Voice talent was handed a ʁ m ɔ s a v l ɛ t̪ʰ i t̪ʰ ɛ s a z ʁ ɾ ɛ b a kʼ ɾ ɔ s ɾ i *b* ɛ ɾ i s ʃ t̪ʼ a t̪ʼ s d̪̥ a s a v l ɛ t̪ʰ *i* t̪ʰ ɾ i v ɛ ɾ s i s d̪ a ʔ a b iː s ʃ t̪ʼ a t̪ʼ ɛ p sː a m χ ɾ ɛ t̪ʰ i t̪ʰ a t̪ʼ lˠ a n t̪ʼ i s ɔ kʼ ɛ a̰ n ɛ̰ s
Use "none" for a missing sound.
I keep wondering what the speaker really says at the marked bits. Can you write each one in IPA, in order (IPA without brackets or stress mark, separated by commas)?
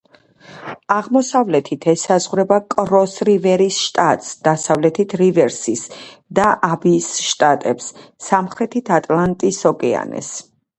v, i